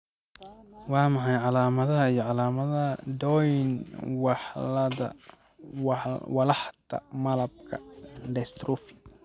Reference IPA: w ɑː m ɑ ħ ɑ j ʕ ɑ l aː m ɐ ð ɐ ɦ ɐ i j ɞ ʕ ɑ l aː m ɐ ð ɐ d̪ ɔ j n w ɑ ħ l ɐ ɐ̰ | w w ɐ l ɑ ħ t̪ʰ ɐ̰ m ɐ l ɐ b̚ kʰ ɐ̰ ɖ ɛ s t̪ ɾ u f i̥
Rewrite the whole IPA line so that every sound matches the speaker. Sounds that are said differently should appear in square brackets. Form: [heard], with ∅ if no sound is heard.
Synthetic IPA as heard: w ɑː m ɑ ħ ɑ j ʕ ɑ l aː m ɐ ð ɐ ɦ ɐ i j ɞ ʕ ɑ l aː m ɐ ð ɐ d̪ ɔ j n w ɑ ħ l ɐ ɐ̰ | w w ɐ l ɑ ħ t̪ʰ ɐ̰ m ɐ l ɐ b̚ kʰ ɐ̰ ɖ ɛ s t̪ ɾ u f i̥

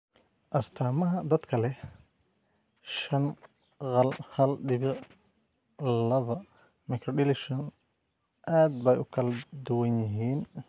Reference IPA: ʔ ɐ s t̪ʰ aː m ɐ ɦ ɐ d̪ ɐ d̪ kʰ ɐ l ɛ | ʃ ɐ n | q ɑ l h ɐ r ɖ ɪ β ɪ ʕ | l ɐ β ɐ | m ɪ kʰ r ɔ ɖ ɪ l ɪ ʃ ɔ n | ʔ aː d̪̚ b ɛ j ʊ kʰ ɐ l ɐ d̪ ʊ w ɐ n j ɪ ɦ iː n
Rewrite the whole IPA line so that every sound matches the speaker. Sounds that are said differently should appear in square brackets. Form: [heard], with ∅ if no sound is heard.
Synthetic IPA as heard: ʔ ɐ s t̪ʰ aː m ɐ ɦ ɐ d̪ ɐ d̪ kʰ ɐ l ɛ | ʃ ɐ n | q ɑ l h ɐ [l] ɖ ɪ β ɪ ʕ | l ɐ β ɐ | m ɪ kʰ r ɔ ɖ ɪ l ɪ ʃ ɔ n | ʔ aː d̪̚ b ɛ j ʊ kʰ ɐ l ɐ d̪ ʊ w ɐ n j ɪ ɦ iː n

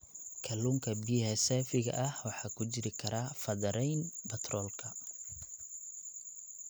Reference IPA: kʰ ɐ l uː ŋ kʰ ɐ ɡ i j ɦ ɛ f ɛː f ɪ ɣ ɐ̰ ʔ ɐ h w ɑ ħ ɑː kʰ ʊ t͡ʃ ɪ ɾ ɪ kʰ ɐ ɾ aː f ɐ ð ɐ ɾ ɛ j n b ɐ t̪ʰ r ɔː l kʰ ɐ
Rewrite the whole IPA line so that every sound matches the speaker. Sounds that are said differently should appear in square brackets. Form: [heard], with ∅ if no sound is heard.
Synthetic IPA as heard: kʰ ɐ l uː ŋ kʰ ɐ [b] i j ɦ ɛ [s] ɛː f ɪ ɣ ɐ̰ ʔ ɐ h w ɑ ħ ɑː kʰ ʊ t͡ʃ ɪ ɾ ɪ kʰ ɐ ɾ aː f ɐ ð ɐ ɾ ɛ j n b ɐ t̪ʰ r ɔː l kʰ ɐ

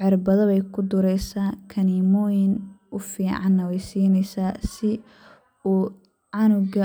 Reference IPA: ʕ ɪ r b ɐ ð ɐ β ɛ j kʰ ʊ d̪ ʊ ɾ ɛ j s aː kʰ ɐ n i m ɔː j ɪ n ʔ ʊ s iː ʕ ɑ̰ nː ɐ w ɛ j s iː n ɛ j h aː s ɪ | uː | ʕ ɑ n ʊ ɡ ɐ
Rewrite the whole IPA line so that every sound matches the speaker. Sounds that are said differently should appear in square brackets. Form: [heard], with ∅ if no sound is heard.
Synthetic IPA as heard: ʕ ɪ r b ɐ ð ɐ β ɛ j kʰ ʊ d̪ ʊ ɾ ɛ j s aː kʰ ɐ n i m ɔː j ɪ n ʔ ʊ [f] iː ʕ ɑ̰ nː ɐ w ɛ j s iː n ɛ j [s] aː s ɪ | uː | ʕ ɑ n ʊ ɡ ɐ

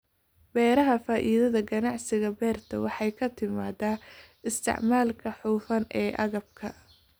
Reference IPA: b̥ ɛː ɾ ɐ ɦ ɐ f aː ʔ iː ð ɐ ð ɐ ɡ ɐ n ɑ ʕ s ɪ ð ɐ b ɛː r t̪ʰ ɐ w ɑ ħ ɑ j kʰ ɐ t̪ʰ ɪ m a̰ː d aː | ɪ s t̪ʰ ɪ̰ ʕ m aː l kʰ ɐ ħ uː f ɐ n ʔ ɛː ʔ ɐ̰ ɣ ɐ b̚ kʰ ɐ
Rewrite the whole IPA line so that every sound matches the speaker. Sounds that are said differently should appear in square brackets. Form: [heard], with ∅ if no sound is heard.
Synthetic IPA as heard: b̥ ɛː ɾ ɐ ɦ ɐ f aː ʔ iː ð ɐ ð ɐ ɡ ɐ n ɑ ʕ s ɪ [ɣ] ɐ b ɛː r t̪ʰ ɐ w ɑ ħ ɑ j kʰ ɐ t̪ʰ ɪ m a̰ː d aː | ɪ s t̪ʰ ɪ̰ ʕ m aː l kʰ ɐ ħ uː f ɐ n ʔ ɛː ʔ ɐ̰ ɣ ɐ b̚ kʰ ɐ

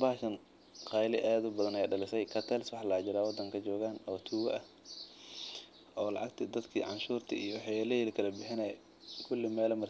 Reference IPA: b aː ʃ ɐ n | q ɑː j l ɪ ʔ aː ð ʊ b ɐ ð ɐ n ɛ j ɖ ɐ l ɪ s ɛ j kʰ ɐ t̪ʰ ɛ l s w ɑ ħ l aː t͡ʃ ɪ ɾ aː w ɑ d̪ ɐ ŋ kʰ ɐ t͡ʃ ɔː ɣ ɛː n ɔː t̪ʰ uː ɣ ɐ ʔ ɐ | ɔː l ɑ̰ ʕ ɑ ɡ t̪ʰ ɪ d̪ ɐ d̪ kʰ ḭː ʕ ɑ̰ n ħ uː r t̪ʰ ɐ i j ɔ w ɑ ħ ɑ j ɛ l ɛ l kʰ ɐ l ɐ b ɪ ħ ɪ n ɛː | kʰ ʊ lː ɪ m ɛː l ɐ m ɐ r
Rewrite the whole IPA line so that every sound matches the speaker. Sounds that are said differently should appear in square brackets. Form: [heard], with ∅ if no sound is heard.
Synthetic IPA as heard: b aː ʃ ɐ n | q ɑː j l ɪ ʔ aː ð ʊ b ɐ ð ɐ n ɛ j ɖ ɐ l ɪ s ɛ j kʰ ɐ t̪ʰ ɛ l s w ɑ ħ l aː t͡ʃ ɪ ɾ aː w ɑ d̪ ɐ ŋ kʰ ɐ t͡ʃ ɔː ɣ [aː] n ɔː t̪ʰ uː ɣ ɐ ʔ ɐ | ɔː l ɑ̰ ʕ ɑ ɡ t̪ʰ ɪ d̪ ɐ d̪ kʰ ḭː ʕ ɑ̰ n [ʃ] uː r t̪ʰ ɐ i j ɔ w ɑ ħ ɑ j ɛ l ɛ l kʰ ɐ l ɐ b ɪ ħ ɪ n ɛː | kʰ ʊ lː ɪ m ɛː l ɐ m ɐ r

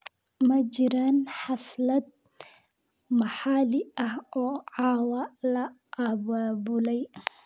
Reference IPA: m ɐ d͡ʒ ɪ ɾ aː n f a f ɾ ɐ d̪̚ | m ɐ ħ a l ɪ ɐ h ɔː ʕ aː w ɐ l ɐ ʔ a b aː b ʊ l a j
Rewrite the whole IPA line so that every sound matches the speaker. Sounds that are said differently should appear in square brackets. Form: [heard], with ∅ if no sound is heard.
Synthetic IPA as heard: m ɐ d͡ʒ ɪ ɾ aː n [ħ] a f [l] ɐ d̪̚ | m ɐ ħ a l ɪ ɐ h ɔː ʕ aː w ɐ l ɐ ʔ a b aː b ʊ l [ɛ] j

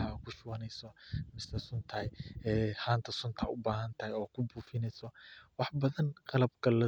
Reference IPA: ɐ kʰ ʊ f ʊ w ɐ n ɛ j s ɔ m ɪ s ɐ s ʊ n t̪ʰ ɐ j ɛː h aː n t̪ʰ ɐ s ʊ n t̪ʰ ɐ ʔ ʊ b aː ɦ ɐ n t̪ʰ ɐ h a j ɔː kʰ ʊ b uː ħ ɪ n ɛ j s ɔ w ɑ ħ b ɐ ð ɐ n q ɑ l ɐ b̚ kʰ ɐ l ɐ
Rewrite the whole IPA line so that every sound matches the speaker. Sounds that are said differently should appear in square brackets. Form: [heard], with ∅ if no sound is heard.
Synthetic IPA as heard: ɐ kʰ ʊ [ʃ] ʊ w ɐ n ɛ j s ɔ m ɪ s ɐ s ʊ n t̪ʰ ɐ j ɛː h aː n t̪ʰ ɐ s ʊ n t̪ʰ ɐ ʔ ʊ b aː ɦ ɐ n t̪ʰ ɐ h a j ɔː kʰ ʊ b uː [f] ɪ n ɛ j s ɔ w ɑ ħ b ɐ ð ɐ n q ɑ l ɐ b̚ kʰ ɐ l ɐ

